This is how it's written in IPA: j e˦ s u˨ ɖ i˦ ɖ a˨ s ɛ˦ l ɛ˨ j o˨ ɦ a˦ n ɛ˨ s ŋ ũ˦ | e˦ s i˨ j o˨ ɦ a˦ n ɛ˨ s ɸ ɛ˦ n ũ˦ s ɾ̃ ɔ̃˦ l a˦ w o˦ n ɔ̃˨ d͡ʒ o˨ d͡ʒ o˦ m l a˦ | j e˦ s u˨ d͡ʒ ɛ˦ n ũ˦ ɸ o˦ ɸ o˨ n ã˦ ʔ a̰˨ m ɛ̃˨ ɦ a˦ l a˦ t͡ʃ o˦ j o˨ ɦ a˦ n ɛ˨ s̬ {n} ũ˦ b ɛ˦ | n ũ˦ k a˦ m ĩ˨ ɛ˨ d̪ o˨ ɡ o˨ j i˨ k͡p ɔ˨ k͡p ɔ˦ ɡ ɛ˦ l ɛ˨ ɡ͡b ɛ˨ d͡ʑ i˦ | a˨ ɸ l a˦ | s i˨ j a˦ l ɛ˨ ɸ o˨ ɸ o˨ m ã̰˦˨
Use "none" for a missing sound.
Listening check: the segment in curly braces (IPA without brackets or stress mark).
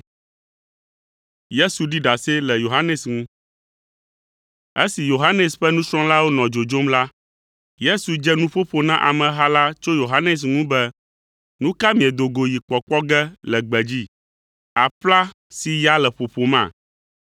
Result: ŋ